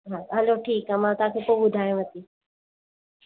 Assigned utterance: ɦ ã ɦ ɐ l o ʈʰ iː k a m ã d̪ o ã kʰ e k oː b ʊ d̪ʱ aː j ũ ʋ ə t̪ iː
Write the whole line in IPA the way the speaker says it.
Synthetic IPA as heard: ɦ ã ɦ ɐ l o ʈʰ iː k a m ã t̪ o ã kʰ e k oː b ʊ d̪ʱ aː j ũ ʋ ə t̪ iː